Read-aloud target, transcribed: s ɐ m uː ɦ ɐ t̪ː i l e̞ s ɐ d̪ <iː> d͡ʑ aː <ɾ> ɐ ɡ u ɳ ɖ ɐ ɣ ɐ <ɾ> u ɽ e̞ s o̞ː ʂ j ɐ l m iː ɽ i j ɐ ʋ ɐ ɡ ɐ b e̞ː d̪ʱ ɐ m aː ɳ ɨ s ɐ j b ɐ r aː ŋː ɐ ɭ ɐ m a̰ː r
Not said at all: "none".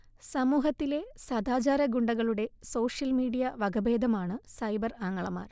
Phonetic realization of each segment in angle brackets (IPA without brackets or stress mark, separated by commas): aː, ɾ, ɭ